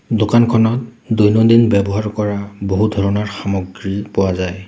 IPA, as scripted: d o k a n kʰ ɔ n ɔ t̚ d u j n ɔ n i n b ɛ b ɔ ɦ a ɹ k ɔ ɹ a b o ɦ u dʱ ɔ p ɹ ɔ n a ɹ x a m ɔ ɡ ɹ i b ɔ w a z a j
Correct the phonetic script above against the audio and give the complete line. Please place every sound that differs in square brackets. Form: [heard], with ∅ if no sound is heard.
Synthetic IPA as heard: d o k a n kʰ ɔ n ɔ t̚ d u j n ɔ [d] i n b ɛ b ɔ ɦ a ɹ k ɔ ɹ a b o ɦ u dʱ ɔ [∅] ɹ ɔ n a ɹ x a m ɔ ɡ ɹ i [p] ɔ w a z a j